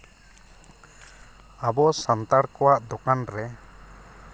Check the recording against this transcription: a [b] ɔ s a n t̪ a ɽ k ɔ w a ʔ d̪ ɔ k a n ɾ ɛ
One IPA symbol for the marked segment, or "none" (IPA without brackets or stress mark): b